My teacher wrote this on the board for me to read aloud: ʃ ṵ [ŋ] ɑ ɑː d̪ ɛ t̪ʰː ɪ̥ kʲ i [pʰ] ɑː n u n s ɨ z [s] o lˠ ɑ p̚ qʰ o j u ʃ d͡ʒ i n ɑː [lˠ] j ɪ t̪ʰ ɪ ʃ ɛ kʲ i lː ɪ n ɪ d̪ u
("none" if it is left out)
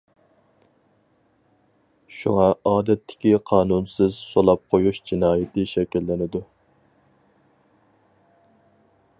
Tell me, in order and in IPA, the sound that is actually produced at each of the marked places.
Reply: ŋ, qʰ, s, none

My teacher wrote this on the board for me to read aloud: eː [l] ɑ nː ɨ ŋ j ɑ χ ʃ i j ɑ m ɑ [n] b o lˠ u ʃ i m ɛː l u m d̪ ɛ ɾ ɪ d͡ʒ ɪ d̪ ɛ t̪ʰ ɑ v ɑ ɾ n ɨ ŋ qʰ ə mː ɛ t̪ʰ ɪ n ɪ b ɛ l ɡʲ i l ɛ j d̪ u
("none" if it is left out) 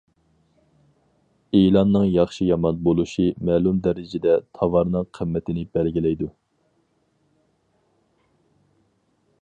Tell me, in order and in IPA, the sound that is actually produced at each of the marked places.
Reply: l, n

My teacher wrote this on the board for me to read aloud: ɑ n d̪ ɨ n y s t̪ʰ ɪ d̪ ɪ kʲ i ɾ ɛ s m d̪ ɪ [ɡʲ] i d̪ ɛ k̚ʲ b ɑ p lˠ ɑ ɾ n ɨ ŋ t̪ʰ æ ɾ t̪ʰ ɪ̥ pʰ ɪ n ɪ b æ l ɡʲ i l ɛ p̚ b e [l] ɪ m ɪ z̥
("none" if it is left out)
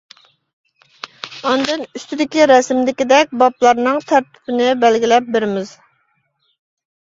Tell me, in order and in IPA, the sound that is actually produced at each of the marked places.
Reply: kʲ, ɾ

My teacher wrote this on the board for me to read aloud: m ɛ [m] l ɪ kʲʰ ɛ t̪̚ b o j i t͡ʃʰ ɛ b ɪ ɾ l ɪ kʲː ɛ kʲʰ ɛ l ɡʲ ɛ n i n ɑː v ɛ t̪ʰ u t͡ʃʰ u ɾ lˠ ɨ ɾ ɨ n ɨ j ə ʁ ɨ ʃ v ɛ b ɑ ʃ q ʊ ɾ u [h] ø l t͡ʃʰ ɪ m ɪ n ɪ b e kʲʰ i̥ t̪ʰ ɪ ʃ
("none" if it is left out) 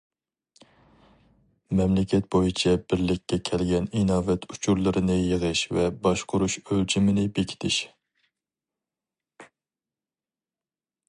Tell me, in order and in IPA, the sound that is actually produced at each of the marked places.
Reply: m, ʃ

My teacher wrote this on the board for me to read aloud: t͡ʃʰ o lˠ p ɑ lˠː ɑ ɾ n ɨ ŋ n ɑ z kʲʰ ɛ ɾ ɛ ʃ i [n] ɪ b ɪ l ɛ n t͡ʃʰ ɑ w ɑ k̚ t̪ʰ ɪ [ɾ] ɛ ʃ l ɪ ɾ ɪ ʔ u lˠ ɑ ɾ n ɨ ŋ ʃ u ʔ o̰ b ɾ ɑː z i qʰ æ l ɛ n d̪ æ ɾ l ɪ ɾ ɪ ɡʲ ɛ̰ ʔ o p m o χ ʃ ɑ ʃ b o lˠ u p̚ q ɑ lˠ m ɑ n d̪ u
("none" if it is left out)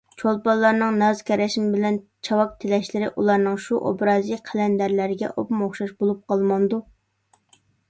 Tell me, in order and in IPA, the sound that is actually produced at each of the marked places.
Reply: m, l

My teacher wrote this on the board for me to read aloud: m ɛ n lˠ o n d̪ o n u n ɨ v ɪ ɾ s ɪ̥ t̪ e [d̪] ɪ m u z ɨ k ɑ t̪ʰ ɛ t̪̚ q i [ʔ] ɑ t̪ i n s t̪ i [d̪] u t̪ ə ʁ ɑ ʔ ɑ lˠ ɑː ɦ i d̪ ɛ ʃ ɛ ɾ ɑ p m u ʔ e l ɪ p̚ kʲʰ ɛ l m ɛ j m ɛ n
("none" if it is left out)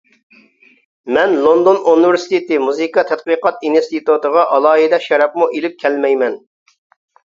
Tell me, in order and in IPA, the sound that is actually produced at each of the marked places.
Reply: t̪, q, t̪

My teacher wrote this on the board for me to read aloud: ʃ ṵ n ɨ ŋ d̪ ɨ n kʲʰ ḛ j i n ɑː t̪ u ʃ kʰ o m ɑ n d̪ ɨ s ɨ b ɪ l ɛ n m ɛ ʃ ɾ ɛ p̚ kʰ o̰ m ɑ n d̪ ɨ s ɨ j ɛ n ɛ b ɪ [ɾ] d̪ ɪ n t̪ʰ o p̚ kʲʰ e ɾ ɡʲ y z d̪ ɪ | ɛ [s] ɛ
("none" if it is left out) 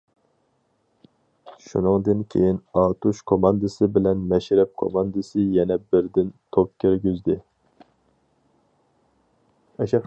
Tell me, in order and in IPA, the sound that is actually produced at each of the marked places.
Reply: ɾ, ʃ

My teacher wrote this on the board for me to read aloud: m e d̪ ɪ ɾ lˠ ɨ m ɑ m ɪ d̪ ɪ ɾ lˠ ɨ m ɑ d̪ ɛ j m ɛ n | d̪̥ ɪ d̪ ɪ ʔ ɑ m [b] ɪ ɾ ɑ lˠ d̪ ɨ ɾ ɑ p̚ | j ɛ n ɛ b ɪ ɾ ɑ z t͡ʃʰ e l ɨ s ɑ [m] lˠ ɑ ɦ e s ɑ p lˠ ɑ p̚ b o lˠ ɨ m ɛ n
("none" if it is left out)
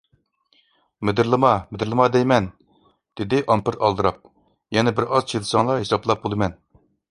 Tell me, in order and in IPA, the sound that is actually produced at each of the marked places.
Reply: p, ŋ

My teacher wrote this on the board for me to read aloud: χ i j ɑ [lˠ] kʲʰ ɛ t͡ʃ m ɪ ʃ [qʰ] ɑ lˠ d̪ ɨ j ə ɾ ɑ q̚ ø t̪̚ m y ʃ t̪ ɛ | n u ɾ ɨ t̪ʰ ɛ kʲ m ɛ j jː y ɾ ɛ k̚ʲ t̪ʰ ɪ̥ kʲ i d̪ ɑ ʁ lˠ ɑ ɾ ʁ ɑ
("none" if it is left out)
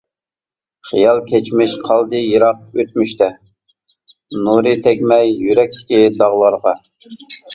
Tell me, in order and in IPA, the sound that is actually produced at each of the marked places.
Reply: lˠ, qʰ

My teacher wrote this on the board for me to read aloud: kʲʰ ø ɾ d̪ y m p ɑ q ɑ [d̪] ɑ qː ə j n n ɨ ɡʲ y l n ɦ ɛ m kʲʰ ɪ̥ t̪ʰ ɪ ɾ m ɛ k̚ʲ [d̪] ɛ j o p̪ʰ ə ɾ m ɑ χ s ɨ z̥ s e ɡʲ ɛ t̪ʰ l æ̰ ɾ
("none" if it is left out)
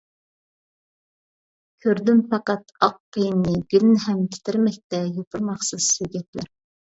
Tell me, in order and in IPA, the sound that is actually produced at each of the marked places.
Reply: t̪, t̪

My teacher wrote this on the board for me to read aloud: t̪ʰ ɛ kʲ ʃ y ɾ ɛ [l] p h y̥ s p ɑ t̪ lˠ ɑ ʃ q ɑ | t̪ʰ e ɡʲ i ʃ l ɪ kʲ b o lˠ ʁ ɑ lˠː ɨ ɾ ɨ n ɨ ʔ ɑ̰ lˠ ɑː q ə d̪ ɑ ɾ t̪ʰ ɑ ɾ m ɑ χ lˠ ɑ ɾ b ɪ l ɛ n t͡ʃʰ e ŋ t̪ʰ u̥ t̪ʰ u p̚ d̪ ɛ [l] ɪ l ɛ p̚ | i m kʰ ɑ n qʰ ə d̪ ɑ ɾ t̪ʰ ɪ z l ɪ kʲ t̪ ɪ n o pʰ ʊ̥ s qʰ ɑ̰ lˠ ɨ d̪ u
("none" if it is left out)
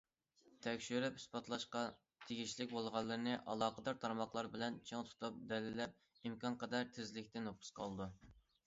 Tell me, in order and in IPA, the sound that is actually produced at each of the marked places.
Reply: none, l

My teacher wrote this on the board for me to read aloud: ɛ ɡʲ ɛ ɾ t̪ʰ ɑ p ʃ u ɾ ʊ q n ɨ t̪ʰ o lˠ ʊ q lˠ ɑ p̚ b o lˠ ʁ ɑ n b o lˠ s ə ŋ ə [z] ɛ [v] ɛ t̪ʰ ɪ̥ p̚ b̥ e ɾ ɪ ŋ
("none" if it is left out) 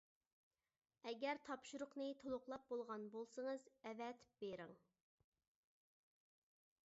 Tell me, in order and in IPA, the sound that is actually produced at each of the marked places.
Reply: z, v

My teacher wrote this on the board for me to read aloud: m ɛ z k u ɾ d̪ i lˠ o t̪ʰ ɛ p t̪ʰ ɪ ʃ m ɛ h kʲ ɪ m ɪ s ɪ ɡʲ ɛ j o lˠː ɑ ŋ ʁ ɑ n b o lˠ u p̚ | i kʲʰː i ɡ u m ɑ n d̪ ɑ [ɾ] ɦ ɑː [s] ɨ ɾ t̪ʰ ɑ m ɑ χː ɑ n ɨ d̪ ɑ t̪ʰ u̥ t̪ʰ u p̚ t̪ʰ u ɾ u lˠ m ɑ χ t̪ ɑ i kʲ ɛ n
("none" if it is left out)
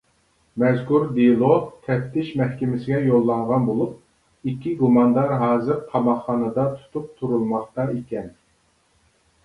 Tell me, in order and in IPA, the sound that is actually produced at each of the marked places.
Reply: ɾ, z

